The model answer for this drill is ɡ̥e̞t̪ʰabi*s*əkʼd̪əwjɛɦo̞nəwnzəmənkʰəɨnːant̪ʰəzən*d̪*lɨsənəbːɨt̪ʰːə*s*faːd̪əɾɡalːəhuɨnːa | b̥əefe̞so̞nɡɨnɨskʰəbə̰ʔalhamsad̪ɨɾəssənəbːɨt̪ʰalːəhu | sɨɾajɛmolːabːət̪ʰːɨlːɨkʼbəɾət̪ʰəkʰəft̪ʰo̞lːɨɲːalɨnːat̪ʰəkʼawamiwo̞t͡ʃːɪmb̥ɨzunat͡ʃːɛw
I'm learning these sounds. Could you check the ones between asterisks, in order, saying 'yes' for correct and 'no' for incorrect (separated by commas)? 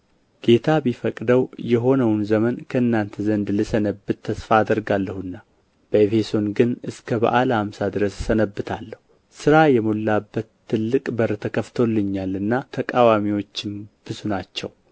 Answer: no, yes, yes